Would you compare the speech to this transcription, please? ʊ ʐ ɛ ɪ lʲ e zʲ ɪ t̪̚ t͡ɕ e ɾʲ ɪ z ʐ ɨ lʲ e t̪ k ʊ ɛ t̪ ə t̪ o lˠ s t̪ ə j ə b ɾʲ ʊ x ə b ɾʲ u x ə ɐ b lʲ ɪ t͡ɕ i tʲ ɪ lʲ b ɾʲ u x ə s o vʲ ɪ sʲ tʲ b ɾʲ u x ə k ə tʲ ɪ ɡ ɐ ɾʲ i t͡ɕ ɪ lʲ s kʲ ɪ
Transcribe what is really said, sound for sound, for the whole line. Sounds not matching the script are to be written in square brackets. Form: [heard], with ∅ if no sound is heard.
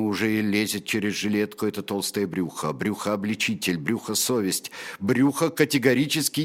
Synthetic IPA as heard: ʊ ʐ ɛ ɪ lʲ e zʲ ɪ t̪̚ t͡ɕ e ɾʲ ɪ z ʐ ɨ lʲ e t̪ k ʊ ɛ t̪ ə t̪ o lˠ s t̪ ə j ə b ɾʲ [u] x ə b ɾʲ u x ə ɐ b lʲ ɪ t͡ɕ i tʲ ɪ lʲ b ɾʲ u x ə s o vʲ ɪ sʲ tʲ b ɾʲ u x ə k ə tʲ ɪ ɡ ɐ ɾʲ i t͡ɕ ɪ [∅] s kʲ ɪ